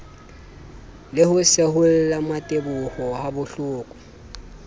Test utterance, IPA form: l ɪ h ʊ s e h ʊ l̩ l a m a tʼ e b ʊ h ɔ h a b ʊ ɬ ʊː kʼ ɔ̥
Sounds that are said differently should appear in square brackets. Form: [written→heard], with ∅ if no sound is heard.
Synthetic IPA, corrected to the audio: l ɪ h ʊ s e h ʊ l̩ l a m a tʼ e b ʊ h ɔ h a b ʊ ɬ ʊː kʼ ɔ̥

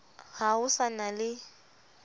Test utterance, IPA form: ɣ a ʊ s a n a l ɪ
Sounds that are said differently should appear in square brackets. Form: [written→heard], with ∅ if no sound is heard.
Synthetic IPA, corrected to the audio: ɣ a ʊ s a n a l ɪ

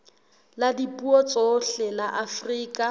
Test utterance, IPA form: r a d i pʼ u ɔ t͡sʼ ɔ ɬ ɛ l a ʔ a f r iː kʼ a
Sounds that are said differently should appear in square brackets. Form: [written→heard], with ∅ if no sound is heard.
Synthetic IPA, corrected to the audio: [r→l] a d i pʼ u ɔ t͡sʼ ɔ ɬ ɛ l a ʔ a f r iː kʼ a

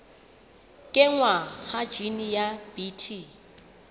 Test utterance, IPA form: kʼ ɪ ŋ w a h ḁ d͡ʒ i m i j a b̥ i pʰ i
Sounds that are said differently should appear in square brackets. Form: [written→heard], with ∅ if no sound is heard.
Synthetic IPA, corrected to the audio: kʼ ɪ ŋ w a h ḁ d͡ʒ i [m→n] i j a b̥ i [pʰ→tʰ] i

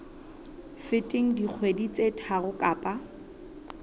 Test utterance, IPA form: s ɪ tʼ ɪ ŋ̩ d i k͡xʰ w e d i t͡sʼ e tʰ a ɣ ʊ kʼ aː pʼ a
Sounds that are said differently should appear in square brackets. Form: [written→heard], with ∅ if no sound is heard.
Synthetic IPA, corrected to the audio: [s→f] ɪ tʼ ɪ ŋ̩ d i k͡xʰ w e d i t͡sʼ e tʰ a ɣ ʊ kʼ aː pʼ a

